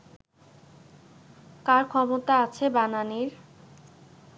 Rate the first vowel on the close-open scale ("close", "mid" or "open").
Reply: open